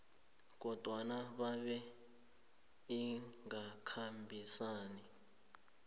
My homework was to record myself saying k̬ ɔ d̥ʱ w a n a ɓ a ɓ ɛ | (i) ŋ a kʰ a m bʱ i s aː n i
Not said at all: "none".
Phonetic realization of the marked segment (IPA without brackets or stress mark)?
i